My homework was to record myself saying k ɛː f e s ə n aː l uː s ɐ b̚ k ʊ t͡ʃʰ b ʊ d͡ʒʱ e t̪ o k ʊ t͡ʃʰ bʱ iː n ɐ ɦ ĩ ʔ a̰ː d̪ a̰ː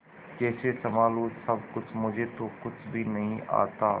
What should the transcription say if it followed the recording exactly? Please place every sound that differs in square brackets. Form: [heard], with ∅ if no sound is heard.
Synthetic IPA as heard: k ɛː [s] e s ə [m] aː l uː s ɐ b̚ k ʊ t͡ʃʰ [m] ʊ d͡ʒʱ e t̪ o k ʊ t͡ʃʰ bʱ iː n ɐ ɦ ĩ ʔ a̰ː [t̪] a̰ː